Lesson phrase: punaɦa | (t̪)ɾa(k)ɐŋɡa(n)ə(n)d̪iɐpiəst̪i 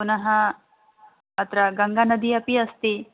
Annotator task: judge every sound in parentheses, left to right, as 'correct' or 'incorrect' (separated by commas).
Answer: correct, incorrect, correct, incorrect